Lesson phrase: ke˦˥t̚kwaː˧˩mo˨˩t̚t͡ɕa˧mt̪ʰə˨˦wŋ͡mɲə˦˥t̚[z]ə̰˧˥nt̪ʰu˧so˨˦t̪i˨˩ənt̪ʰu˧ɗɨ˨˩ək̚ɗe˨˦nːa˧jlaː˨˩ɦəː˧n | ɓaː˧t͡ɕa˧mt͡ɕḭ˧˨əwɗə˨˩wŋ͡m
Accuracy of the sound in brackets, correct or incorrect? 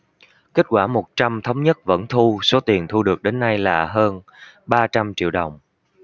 incorrect